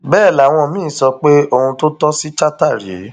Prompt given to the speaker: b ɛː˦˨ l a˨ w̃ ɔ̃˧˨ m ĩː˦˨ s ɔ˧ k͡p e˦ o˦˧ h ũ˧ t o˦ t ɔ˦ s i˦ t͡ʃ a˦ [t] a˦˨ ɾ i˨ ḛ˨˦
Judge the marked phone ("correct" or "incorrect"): correct